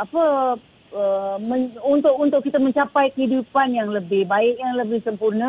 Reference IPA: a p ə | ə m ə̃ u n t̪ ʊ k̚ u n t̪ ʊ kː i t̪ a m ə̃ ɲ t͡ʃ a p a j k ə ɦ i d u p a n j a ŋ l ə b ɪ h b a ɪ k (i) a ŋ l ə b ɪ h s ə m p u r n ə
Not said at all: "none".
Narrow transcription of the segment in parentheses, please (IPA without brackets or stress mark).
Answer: j